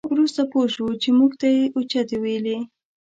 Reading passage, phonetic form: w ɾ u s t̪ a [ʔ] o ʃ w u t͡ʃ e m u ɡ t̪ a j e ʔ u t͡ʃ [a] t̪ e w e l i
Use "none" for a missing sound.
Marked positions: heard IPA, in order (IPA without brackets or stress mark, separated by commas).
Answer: p, a